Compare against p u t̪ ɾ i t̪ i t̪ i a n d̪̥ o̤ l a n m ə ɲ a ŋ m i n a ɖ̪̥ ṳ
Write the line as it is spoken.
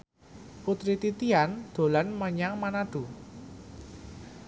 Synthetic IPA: p u t̪ ɾ i t̪ i t̪ i a n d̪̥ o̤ l a n m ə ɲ a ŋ m a n a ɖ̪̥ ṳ